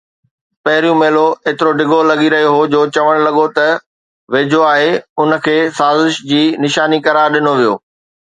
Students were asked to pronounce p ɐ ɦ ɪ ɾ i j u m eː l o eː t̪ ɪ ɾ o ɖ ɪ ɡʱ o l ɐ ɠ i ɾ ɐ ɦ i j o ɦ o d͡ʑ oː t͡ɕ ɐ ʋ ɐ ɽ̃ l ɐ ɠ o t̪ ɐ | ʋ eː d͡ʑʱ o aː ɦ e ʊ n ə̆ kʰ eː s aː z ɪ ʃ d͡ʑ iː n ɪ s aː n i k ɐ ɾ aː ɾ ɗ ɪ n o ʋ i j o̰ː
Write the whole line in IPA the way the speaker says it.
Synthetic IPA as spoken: p ɐ ɦ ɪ ɾ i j ũ m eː l o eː t̪ ɪ ɾ o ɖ ɪ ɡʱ o l ɐ ɠ i ɾ ɐ ɦ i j o ɦ o d͡ʑ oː t͡ɕ ɐ ʋ ə ɽ̃ l ɐ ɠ o t̪ ɐ | ʋ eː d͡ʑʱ o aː ɦ e ʊ n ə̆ kʰ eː s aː z ɪ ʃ d͡ʑ iː n ɪ ʃ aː n i k ɐ ɾ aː ɾ ɗ ɪ n o ʋ i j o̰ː